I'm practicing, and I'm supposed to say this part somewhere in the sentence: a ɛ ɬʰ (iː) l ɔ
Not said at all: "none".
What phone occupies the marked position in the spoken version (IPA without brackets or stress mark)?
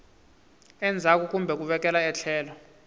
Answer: ɛː